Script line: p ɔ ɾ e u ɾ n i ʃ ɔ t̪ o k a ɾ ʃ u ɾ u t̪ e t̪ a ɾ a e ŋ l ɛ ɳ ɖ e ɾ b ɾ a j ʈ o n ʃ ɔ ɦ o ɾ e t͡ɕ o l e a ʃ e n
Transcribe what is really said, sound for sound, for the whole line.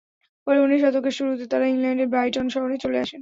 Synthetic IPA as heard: p ɔ ɾ e u n i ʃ ɔ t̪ o k e ɾ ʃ u ɾ u t̪ e t̪ a ɾ a i ŋ l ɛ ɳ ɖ e ɾ b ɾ a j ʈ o n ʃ ɔ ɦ o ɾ e t͡ɕ o l e a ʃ e n